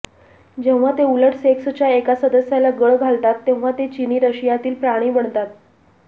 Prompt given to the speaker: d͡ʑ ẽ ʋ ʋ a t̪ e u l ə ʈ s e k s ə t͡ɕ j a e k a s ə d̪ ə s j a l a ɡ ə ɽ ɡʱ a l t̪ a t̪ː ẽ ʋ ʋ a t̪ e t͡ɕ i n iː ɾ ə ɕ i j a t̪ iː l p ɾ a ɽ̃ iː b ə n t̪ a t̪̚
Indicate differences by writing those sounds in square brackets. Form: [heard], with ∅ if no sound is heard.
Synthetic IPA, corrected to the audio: d͡ʑ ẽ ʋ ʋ a t̪ e u l ə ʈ s e k s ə t͡ɕ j a e k a s ə d̪ ə s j a l a ɡ ə [ɭ] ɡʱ a l t̪ a t̪ː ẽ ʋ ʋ a t̪ e t͡ɕ i n iː ɾ ə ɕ i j a t̪ iː l p ɾ a ɽ̃ iː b ə [ɳ] t̪ a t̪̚